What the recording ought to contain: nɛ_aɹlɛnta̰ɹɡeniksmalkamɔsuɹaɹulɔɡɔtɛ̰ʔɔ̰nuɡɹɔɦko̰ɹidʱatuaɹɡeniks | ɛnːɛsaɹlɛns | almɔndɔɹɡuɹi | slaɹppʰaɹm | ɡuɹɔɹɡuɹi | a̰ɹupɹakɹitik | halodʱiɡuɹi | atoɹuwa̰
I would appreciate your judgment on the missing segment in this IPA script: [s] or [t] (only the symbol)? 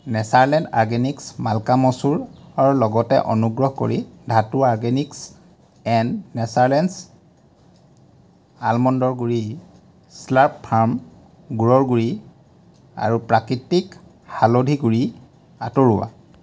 s